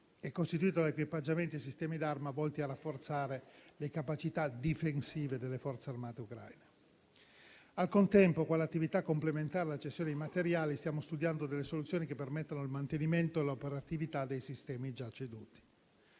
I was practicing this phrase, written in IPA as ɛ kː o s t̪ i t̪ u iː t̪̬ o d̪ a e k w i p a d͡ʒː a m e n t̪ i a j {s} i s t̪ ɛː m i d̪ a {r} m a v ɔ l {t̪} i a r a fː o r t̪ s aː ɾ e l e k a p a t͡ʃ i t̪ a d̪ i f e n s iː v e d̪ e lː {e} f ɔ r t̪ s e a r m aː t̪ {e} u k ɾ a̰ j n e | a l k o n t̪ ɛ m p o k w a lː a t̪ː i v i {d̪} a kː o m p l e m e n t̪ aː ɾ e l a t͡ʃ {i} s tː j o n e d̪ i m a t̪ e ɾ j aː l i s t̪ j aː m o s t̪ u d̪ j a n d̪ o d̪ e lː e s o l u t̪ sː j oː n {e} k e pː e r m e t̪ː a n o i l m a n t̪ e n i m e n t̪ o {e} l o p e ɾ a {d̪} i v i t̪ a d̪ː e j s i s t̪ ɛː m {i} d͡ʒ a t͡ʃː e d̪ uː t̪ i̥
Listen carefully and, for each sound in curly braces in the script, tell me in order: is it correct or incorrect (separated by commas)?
correct, correct, correct, correct, correct, incorrect, incorrect, incorrect, correct, incorrect, correct